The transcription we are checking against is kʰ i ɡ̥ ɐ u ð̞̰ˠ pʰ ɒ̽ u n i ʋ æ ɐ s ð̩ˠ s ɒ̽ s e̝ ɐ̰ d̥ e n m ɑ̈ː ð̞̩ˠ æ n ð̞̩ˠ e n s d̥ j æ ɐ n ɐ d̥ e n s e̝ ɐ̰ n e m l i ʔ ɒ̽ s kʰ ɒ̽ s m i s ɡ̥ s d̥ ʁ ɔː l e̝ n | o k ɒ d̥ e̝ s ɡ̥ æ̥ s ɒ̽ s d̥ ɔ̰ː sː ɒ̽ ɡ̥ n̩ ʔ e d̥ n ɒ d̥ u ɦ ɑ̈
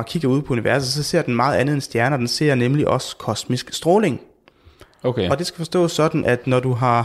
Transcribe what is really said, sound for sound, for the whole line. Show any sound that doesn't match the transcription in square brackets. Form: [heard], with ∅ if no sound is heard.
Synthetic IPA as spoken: kʰ i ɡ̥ ɐ u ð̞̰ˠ pʰ ɒ̽ u n i ʋ æ ɐ s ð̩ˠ s ɒ̽ s e̝ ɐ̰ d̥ e n m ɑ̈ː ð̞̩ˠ æ n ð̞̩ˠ e n s d̥ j æ ɐ n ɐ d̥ e n s e̝ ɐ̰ n e m l i ʔ ɒ̽ s kʰ ɒ̽ s m i s ɡ̥ s d̥ ʁ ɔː l e̝ [ŋ] | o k ɒ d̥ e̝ s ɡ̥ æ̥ [f] ɒ̽ s d̥ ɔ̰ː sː ɒ̽ [d̥] n̩ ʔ [æ] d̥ n ɒ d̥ u ɦ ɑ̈